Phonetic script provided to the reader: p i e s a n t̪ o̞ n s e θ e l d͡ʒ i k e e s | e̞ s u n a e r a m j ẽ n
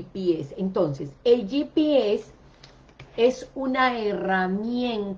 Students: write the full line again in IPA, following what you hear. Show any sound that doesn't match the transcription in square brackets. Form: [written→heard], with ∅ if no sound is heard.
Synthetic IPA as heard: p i e s [a→e] n t̪ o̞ n s e [θ→s] e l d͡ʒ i [k→p] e e s | e̞ s u n a e r a m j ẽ n